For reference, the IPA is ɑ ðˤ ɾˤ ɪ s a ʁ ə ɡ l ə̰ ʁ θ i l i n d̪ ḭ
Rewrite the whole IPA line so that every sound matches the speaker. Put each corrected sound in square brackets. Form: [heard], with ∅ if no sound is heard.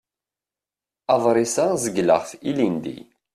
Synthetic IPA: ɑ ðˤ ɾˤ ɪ s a [z] ə ɡ l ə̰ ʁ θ i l i n d̪ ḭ